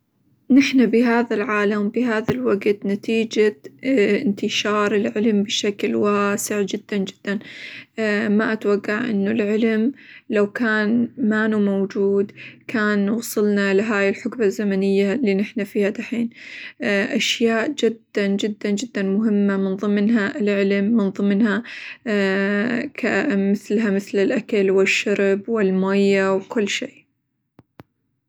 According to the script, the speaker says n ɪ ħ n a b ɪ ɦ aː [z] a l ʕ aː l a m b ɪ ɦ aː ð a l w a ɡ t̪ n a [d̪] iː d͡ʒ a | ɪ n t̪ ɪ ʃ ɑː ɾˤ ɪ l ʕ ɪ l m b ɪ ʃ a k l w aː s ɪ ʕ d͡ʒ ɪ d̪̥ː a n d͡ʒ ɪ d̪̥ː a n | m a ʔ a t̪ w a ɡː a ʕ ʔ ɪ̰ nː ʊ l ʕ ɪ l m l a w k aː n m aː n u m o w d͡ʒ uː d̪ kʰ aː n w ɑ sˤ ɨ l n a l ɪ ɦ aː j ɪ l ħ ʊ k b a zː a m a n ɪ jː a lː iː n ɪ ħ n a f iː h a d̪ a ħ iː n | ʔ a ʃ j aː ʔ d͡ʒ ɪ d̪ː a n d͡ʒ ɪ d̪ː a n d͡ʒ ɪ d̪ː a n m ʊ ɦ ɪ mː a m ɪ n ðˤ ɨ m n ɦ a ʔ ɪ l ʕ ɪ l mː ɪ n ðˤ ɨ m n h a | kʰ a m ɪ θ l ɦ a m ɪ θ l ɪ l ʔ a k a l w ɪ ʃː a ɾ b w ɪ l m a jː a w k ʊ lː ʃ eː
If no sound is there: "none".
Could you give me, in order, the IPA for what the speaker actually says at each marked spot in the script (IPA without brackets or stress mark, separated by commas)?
ð, t̪